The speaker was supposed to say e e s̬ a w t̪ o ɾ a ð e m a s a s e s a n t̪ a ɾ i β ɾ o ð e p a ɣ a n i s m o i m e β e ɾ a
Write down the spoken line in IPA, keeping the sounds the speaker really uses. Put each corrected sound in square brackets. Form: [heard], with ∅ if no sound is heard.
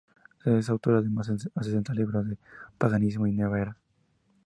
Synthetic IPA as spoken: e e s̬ a w t̪ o ɾ a ð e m a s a s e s [e] n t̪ a [l] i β ɾ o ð e p a ɣ a n i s m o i [n] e β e ɾ a